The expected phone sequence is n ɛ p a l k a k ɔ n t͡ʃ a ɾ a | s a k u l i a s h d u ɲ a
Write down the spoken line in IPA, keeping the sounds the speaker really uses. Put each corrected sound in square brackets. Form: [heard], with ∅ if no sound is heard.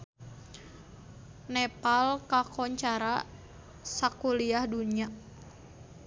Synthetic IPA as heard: n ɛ p a l k a k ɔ [ɲ] t͡ʃ a ɾ a | s a k u l i a [∅] h d u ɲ a